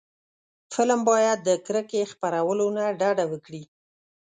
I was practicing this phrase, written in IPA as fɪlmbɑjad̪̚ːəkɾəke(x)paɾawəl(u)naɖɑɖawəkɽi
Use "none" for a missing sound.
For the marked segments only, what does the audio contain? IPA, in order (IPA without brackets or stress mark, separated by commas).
x, o